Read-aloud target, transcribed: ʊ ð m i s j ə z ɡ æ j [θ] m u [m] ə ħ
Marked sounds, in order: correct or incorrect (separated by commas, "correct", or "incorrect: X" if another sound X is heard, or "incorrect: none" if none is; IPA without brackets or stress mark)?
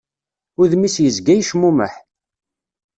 incorrect: ʃ, correct